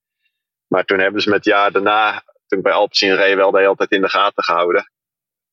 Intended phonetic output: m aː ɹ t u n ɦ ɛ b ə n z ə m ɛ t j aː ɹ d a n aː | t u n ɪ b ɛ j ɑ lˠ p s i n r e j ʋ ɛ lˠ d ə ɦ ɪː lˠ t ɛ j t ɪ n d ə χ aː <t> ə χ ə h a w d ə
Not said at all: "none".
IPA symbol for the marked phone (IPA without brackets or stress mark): t